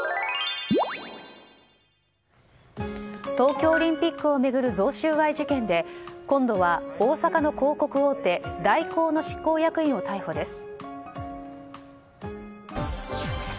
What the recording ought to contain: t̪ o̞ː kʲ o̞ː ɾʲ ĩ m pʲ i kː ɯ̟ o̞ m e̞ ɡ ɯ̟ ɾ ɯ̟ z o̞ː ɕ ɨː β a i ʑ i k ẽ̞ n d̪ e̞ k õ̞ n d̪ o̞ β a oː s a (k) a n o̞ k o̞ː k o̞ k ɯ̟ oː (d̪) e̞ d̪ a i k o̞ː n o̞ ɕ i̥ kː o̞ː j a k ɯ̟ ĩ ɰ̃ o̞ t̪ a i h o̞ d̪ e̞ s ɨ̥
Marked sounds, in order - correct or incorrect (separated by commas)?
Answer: correct, incorrect